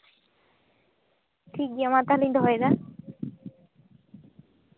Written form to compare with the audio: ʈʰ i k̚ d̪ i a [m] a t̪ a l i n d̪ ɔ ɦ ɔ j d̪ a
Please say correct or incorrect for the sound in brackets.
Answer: correct